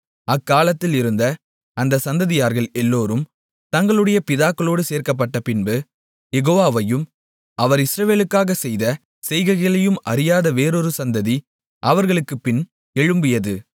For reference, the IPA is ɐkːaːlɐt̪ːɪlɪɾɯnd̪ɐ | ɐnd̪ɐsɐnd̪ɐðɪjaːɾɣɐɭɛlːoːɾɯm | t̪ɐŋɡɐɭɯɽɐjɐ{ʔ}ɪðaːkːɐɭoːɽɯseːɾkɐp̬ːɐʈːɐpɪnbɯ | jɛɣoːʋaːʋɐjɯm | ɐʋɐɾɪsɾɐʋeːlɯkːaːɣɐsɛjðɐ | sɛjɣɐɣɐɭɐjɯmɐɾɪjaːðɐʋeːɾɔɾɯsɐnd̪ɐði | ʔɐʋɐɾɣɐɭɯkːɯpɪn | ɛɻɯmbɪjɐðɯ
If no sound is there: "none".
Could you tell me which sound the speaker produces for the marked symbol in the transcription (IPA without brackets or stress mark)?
p